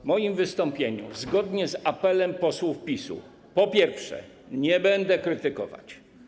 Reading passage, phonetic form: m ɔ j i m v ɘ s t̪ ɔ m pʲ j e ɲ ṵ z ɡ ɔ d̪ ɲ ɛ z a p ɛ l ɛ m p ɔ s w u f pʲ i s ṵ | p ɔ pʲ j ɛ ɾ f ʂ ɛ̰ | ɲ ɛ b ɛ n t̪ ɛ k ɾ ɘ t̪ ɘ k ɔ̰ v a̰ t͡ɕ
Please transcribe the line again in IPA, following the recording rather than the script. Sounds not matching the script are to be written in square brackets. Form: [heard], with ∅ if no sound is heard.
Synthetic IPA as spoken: m ɔ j i m v ɘ s t̪ ɔ m pʲ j e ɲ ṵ z ɡ ɔ d̪ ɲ ɛ z a p ɛ l ɛ m p ɔ s w u f pʲ i s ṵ | p ɔ pʲ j ɛ ɾ f ʂ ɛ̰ | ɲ ɛ b ɛ n [d̪] ɛ k ɾ ɘ t̪ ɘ k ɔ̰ v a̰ t͡ɕ

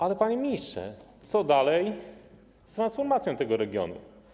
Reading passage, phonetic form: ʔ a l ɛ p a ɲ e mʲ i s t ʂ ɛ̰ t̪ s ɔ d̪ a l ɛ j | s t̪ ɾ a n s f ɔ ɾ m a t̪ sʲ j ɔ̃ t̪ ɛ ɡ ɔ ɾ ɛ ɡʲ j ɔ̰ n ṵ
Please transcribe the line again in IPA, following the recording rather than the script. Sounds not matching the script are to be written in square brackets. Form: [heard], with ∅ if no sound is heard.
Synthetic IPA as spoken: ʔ a l ɛ p a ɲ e mʲ i s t ʂ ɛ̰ t̪ s ɔ d̪ a l ɛ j | s t̪ ɾ a n s f ɔ ɾ m a t̪ sʲ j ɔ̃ t̪ ɛ ɡ ɔ ɾ ɛ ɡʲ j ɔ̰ n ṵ

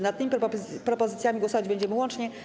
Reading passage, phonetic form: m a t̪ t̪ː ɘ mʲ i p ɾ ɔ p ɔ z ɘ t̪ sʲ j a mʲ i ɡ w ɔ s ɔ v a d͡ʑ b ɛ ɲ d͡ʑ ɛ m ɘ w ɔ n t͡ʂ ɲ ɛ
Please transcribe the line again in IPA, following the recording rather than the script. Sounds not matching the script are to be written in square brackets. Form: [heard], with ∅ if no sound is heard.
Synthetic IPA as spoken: [n] a t̪ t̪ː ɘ mʲ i p ɾ ɔ p ɔ z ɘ t̪ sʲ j a mʲ i ɡ w ɔ s ɔ v a d͡ʑ b ɛ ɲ d͡ʑ ɛ m ɘ w ɔ n t͡ʂ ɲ ɛ

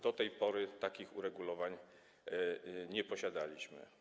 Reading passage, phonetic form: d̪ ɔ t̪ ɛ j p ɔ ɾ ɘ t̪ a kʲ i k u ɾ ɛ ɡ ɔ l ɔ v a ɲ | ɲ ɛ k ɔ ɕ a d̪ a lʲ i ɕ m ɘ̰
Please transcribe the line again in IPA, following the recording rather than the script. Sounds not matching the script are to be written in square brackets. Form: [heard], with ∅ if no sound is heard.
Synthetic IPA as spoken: d̪ ɔ t̪ ɛ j p ɔ ɾ ɘ t̪ a kʲ i [x] u ɾ ɛ ɡ [u] l ɔ v a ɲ | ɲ ɛ [p] ɔ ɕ a d̪ a lʲ i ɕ m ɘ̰

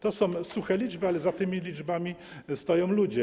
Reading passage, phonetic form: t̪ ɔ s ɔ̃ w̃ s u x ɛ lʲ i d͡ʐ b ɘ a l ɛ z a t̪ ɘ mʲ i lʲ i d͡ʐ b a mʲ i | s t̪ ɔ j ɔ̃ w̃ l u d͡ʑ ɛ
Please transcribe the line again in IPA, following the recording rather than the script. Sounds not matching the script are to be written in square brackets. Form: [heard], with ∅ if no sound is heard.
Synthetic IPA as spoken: t̪ ɔ s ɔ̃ w̃ s u x ɛ lʲ i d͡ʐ b ɘ a l ɛ z a t̪ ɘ mʲ i lʲ i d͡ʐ b a mʲ i | s t̪ ɔ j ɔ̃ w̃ l u d͡ʑ ɛ

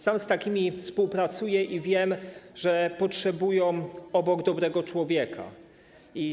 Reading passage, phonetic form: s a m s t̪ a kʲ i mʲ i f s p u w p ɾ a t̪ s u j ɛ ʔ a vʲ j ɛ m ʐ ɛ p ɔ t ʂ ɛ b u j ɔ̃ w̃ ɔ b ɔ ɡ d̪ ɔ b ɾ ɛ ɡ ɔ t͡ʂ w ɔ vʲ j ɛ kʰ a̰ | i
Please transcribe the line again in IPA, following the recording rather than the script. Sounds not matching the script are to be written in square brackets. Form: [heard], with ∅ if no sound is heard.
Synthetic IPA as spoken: s a m s t̪ a kʲ i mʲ i f s p u w p ɾ a t̪ s u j ɛ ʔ [i] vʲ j ɛ m ʐ ɛ p ɔ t ʂ ɛ b u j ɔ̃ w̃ ɔ b ɔ ɡ d̪ ɔ b ɾ ɛ ɡ ɔ t͡ʂ w ɔ vʲ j ɛ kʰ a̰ | i

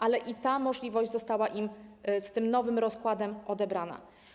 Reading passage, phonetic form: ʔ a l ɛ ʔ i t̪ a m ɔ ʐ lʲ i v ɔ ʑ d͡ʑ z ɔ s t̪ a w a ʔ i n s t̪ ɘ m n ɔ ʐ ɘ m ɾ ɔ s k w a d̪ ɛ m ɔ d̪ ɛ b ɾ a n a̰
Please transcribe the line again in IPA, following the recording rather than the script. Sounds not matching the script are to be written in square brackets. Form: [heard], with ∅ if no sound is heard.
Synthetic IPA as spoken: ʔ a l ɛ ʔ i t̪ a m ɔ ʐ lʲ i v ɔ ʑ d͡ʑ z ɔ s t̪ a w a ʔ i [m] s t̪ ɘ m n ɔ [v] ɘ m ɾ ɔ s k w a d̪ ɛ m ɔ d̪ ɛ b ɾ a n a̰

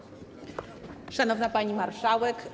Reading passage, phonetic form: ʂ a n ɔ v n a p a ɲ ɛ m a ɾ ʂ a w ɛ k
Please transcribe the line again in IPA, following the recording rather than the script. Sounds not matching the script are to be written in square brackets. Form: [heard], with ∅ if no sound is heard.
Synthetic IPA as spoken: ʂ a n ɔ v n a p a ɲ [i] m a ɾ ʂ a w ɛ k

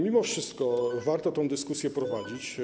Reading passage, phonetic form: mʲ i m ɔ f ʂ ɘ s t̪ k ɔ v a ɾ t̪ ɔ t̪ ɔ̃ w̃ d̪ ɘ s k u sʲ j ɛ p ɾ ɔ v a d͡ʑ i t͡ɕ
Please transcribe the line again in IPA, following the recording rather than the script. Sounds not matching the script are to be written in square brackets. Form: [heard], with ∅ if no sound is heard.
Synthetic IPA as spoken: mʲ i m ɔ f ʂ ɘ s t̪ k ɔ v a ɾ t̪ ɔ t̪ ɔ̃ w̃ d̪ ɘ s k u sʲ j ɛ p ɾ ɔ v a d͡ʑ i t͡ɕ

